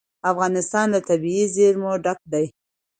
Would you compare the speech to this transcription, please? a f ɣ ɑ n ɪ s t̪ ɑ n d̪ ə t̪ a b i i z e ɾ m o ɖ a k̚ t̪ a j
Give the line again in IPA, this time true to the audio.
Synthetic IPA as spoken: a f ɣ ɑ n ɪ s t̪ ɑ n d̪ ə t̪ a b i i z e ɾ m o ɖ a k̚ d̪ a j